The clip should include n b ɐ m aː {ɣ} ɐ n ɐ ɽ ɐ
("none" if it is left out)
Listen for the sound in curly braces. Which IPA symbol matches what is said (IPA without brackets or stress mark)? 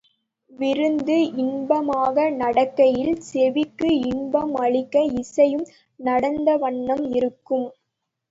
ɣ